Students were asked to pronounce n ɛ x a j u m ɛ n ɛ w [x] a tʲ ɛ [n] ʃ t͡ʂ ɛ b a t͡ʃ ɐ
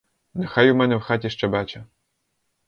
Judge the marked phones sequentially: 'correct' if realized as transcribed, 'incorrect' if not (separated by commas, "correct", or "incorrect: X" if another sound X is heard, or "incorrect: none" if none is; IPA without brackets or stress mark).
correct, incorrect: none